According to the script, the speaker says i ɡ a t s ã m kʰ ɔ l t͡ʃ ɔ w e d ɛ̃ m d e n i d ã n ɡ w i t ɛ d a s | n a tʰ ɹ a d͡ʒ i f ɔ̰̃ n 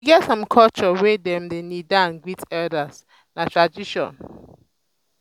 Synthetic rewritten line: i ɡ ɛ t s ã m kʰ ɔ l t͡ʃ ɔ w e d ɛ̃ m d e n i d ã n ɡ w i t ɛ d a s | n a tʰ ɹ a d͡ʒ i ʃ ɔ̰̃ n